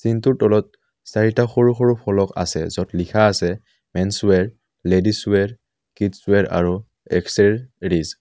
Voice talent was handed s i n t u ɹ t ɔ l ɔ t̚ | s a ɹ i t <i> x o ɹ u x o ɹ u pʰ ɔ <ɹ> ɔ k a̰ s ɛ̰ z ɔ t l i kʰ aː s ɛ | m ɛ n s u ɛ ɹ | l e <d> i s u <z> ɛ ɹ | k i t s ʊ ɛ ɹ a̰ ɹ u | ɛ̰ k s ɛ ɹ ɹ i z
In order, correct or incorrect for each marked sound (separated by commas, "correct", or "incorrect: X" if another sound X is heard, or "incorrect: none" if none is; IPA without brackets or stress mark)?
incorrect: a, incorrect: l, correct, incorrect: none